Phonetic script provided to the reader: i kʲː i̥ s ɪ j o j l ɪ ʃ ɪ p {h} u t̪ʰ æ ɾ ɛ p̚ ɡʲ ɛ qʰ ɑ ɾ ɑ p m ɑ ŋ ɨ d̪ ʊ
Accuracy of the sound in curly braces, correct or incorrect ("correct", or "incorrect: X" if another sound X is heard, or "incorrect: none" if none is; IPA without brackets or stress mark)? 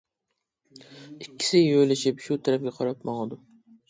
incorrect: ʃ